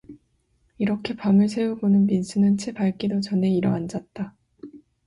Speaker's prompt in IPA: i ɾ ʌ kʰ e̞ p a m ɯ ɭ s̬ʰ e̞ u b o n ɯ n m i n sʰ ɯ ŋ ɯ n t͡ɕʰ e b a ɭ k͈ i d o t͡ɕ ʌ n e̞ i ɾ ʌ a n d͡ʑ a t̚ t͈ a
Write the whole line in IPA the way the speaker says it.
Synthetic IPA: i ɾ ʌ kʰ e̞ p a m ɯ ɭ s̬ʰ e̞ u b o n ɯ n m i n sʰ ɯ n ɯ n t͡ɕʰ e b a ɭ k͈ i d o t͡ɕ ʌ n e̞ i ɾ ʌ a n d͡ʑ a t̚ t͈ a